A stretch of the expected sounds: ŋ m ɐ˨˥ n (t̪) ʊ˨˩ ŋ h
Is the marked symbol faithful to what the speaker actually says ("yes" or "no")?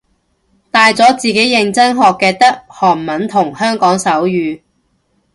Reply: no